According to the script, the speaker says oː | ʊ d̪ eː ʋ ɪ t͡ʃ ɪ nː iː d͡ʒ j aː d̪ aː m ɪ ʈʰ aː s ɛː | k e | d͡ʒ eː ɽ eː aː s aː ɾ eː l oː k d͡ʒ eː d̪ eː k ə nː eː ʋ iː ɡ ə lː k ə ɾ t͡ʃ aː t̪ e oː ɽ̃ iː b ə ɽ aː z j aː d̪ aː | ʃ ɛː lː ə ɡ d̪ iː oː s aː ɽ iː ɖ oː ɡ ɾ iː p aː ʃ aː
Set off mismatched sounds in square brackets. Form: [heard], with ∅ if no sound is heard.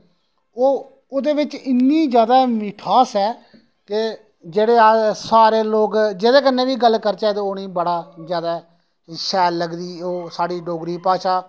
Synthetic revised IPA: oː | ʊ d̪ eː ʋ ɪ t͡ʃ ɪ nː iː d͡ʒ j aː d̪ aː m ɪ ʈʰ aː s ɛː | k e | d͡ʒ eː ɽ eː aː s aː ɾ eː l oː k d͡ʒ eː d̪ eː k ə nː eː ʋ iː ɡ ə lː k ə ɾ t͡ʃ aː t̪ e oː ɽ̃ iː b ə ɽ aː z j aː d̪ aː | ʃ ɛː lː ə ɡ d̪ iː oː s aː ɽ iː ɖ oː ɡ ɾ iː p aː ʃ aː